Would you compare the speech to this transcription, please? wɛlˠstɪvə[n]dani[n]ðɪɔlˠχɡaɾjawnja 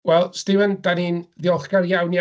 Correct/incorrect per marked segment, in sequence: correct, correct

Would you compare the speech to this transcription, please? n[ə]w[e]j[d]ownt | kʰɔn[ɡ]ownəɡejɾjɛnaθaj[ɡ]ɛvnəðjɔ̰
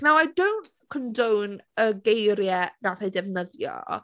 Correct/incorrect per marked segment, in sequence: incorrect: a, incorrect: a, correct, incorrect: d, incorrect: d

